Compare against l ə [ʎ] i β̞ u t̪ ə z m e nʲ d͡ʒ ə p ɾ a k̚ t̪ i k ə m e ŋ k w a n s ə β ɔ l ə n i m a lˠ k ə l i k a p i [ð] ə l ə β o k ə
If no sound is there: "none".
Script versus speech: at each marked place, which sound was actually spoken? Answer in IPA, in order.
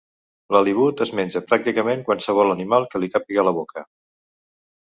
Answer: l, ɣ

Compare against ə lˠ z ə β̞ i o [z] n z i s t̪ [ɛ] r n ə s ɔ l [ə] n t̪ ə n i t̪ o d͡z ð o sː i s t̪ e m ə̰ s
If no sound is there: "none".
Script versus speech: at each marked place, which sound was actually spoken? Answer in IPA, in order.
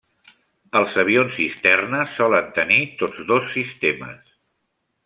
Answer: none, ɛ, ə

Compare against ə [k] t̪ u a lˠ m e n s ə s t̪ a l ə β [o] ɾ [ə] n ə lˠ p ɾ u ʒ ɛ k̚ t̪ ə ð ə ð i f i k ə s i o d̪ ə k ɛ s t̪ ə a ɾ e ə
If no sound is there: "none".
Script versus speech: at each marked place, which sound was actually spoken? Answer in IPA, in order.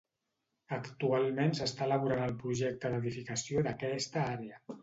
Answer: k, u, a

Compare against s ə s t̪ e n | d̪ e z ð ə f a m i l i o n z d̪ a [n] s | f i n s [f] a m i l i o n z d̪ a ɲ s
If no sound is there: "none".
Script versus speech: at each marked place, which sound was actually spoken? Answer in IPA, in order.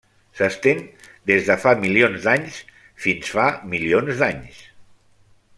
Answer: ɲ, f

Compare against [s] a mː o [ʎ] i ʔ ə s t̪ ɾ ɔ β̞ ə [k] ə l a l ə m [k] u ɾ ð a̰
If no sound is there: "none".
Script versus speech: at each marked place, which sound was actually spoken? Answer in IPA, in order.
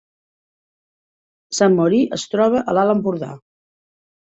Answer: s, ɾ, ʔ, p

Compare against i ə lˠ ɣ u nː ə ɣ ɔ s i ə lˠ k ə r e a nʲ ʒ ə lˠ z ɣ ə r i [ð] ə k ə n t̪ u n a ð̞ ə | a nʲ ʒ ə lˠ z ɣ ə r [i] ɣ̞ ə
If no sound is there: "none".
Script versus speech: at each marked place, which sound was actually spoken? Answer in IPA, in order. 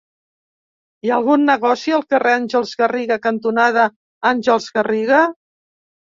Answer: ɣ, i

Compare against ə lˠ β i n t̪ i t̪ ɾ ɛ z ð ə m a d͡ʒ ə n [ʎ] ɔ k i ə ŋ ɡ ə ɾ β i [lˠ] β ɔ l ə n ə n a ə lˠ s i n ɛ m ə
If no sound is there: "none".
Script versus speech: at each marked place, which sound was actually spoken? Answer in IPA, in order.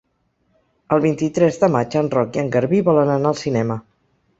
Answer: r, none

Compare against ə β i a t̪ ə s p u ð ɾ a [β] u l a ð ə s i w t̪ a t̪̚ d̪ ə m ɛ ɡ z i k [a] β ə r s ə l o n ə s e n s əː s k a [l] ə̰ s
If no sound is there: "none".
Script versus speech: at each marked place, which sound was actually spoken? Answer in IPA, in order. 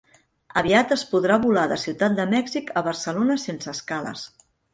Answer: β, ə, l

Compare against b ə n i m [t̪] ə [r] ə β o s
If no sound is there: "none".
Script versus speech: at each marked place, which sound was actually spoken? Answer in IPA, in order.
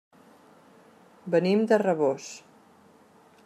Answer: d̪, r

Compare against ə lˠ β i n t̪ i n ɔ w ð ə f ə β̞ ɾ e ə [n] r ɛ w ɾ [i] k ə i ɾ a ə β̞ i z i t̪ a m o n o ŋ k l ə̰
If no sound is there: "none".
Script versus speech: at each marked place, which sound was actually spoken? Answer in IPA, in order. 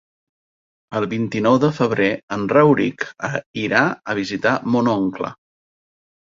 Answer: n, i

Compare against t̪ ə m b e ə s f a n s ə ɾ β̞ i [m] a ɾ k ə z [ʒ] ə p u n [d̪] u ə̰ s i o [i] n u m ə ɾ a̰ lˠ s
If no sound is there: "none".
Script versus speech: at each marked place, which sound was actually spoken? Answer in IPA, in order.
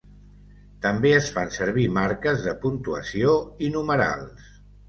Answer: m, ð, t̪, i

